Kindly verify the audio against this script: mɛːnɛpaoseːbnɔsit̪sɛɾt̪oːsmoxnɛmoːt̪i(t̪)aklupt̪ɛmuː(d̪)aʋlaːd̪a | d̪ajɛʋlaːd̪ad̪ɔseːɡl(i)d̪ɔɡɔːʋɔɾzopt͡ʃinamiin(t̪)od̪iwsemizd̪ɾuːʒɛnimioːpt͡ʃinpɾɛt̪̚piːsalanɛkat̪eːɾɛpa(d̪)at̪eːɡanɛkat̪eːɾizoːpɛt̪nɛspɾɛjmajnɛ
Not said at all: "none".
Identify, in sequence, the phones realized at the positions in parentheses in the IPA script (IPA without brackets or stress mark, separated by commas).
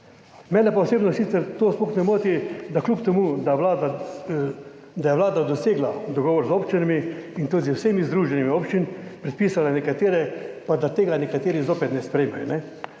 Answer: d̪, d̪, a, t̪, d̪